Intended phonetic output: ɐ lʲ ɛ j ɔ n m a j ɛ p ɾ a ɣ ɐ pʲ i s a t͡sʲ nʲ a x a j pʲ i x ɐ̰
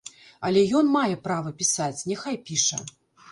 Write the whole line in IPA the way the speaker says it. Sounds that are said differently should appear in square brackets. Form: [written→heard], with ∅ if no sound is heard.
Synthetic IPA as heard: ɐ lʲ ɛ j ɔ n m a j ɛ p ɾ a [ɣ→v] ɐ pʲ i s a t͡sʲ nʲ [a→ɛ] x a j pʲ i [x→ʂ] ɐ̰

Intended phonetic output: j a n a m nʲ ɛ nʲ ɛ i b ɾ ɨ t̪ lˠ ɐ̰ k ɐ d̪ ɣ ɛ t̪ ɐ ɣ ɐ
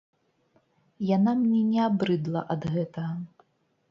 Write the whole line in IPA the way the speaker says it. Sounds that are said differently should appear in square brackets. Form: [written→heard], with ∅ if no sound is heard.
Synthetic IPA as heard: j a n a m nʲ ɛ nʲ ɛ [i→a] b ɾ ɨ [t̪→d̪] lˠ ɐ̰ [k→ʔ] ɐ d̪ ɣ ɛ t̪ ɐ ɣ ɐ

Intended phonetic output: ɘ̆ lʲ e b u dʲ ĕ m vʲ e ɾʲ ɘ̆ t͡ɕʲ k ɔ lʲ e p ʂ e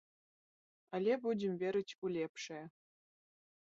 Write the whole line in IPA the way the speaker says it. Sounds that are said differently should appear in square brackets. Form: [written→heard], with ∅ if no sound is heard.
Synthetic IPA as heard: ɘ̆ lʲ e b u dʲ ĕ m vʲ e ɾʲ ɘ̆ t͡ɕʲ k [ɔ→u] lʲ e p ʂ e

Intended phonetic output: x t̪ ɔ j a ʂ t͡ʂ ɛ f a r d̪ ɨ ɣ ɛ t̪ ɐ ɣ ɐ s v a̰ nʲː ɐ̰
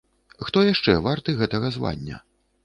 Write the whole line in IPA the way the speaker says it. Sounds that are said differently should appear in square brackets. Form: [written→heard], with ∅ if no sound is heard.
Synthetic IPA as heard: x t̪ ɔ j a ʂ t͡ʂ ɛ [f→v] a r [d̪→t̪] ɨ ɣ ɛ t̪ ɐ ɣ ɐ [s→z] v a̰ nʲː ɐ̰

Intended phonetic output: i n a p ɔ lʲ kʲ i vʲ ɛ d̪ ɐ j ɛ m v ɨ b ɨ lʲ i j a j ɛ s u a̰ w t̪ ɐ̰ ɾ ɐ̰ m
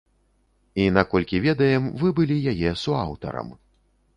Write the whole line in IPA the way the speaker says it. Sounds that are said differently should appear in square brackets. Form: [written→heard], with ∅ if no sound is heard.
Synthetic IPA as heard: i n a [p→k] ɔ lʲ kʲ i vʲ ɛ d̪ ɐ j ɛ m v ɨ b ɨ lʲ i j a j ɛ s u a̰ w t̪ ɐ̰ ɾ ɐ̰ m

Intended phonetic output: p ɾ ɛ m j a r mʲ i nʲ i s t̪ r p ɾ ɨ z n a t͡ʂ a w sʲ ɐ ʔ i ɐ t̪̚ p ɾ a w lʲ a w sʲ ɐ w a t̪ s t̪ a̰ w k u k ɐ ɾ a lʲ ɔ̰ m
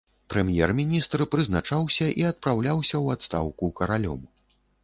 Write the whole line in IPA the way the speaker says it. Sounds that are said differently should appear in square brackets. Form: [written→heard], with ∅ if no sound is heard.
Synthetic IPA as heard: p ɾ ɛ m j [a→ɛ] r mʲ i nʲ i s t̪ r p ɾ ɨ z n a t͡ʂ a w sʲ ɐ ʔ i ɐ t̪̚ p ɾ a w lʲ a w sʲ ɐ w a t̪ s t̪ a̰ w k u k ɐ ɾ a lʲ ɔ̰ m

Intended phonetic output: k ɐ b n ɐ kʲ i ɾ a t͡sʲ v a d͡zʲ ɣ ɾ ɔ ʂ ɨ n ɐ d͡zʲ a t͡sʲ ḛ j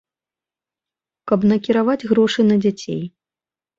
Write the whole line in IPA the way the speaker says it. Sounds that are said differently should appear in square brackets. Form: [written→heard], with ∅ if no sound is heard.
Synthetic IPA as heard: k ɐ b n ɐ kʲ i ɾ a [t͡sʲ→∅] v a d͡zʲ ɣ ɾ ɔ ʂ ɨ n ɐ d͡zʲ a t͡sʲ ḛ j

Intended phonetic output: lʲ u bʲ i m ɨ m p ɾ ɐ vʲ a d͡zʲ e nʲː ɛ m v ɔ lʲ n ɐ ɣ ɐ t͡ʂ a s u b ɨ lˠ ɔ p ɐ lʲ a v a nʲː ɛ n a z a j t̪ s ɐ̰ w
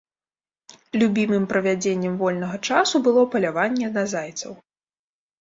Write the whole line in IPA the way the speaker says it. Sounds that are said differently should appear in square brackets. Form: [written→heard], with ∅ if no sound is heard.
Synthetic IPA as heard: lʲ u bʲ i m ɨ m p ɾ ɐ vʲ a d͡zʲ e nʲː ɛ m v ɔ lʲ n ɐ ɣ ɐ t͡ʂ a s u b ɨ lˠ ɔ p ɐ lʲ a v a nʲː ɛ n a z a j t̪ s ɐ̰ w

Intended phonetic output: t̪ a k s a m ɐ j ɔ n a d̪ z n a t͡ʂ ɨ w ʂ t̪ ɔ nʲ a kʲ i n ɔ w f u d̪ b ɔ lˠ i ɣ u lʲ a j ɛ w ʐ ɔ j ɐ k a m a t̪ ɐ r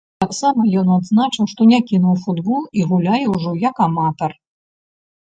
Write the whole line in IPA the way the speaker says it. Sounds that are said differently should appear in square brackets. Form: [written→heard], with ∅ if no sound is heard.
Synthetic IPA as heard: t̪ a k s a m ɐ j ɔ n a d̪ z n a t͡ʂ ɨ w ʂ t̪ ɔ nʲ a kʲ i n [ɔ→u] w f u d̪ b ɔ lˠ i ɣ u lʲ a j ɛ w ʐ ɔ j ɐ k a m a t̪ ɐ r

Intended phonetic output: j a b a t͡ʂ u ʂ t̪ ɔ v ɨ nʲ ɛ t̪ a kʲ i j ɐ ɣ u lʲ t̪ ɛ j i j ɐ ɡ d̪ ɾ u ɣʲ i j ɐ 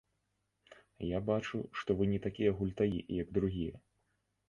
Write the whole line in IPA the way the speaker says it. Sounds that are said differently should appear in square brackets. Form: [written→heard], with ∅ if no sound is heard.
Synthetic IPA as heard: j a b a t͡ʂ u ʂ t̪ ɔ v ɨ nʲ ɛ t̪ a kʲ i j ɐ ɣ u lʲ t̪ [ɛ→a] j i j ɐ ɡ d̪ ɾ u ɣʲ i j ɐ

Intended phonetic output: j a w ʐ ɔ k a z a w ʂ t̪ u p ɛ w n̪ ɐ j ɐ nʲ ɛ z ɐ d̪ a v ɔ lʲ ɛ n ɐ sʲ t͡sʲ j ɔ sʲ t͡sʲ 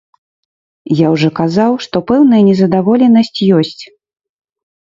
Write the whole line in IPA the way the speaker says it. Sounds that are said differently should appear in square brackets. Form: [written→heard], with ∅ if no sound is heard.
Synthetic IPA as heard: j a w ʐ ɔ k a z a w ʂ t̪ [u→ɔ] p ɛ w n̪ ɐ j ɐ nʲ ɛ z ɐ d̪ a v ɔ lʲ ɛ n ɐ sʲ t͡sʲ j ɔ sʲ t͡sʲ

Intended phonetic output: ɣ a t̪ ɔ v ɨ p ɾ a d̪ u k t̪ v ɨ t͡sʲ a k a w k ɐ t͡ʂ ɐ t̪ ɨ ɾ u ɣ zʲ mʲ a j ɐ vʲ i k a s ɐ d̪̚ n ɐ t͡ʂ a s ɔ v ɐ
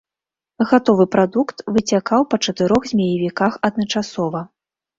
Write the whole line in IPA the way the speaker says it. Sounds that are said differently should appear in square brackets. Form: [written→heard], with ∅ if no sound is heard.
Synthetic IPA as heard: ɣ a t̪ ɔ v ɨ p ɾ a d̪ u k t̪ v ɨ t͡sʲ a k a w [k→p] ɐ t͡ʂ ɐ t̪ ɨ ɾ [u→ɔ] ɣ zʲ mʲ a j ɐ vʲ i k a [s→x] ɐ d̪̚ n ɐ t͡ʂ a s ɔ v ɐ

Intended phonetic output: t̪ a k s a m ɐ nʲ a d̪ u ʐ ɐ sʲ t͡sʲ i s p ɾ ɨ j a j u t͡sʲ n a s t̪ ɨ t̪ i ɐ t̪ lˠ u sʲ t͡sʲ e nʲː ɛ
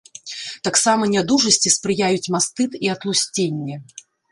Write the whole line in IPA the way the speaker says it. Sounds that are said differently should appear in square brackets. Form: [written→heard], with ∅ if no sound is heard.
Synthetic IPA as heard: t̪ a k s a m ɐ nʲ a d̪ u ʐ ɐ sʲ t͡sʲ i s p ɾ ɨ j a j u t͡sʲ [n→m] a s t̪ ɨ t̪ i ɐ t̪ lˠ u sʲ t͡sʲ e nʲː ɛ

